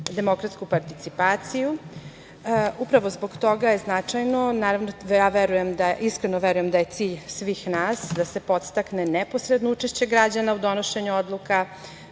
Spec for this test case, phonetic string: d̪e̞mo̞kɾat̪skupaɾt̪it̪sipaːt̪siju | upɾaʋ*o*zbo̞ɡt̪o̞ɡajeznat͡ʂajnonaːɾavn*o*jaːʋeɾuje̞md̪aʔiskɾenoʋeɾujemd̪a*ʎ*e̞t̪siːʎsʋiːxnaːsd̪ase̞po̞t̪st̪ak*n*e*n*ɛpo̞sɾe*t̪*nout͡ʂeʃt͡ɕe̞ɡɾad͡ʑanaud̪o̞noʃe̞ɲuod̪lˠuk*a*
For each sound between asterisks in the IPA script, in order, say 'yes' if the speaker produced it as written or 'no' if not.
yes, yes, no, yes, yes, no, yes

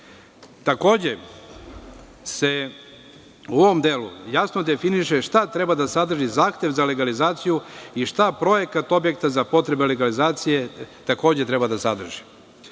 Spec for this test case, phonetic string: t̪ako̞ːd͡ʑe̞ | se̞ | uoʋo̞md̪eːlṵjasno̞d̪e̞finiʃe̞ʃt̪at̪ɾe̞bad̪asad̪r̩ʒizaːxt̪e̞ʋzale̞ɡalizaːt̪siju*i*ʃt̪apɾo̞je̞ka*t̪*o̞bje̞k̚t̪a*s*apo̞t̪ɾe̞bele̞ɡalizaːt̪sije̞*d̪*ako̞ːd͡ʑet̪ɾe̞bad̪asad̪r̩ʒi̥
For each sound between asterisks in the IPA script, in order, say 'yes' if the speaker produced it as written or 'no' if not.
yes, yes, no, no

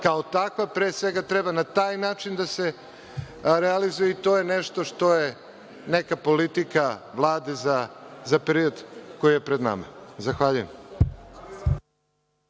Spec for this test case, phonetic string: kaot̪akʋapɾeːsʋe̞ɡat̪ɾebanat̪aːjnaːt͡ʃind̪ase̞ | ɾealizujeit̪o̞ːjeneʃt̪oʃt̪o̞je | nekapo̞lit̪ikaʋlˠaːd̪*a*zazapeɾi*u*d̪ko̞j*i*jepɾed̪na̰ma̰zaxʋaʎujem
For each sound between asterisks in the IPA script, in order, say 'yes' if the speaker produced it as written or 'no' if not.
no, no, yes

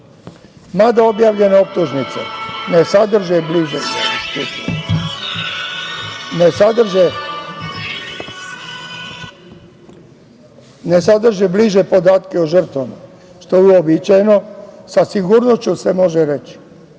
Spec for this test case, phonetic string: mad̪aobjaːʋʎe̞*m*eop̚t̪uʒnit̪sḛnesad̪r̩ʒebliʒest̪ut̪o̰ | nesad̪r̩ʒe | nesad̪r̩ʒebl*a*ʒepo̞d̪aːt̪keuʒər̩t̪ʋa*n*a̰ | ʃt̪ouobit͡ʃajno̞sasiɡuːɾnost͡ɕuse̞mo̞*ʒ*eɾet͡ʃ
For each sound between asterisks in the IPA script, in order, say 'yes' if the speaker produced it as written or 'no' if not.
no, no, no, yes

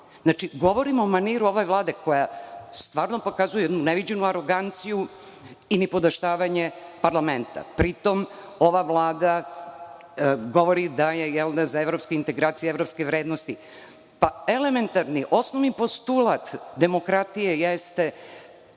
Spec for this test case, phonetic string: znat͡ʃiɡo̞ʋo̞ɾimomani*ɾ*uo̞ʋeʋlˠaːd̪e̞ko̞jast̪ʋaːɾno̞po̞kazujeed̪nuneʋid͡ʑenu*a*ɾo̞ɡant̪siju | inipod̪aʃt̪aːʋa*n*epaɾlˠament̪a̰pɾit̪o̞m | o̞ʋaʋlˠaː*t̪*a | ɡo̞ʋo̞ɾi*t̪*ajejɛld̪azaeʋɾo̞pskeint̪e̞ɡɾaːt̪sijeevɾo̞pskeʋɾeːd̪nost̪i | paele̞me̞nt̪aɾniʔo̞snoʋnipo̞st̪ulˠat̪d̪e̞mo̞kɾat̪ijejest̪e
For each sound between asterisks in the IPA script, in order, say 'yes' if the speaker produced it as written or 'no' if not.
yes, yes, no, no, no

